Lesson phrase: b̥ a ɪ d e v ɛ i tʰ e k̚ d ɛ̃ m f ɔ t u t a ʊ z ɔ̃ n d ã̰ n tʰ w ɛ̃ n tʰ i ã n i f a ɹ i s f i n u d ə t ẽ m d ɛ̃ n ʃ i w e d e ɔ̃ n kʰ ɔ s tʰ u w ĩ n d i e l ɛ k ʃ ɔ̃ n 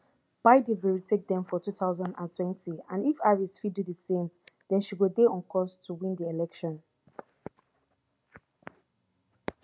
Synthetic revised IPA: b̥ a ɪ d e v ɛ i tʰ e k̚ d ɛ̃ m f ɔ t u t a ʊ z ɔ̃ n d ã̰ n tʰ w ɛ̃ n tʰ i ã n i f a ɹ i s f i d u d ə s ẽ m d ɛ̃ n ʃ i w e d e ɔ̃ n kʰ ɔ s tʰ u w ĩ n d i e l ɛ k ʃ ɔ̃ n